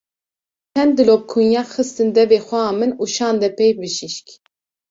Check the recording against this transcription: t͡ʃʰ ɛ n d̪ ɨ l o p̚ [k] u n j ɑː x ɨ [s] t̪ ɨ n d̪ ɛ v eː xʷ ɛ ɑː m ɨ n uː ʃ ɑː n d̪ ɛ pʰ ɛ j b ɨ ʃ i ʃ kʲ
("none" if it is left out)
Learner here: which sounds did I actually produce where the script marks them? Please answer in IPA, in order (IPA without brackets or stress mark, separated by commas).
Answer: kʰ, s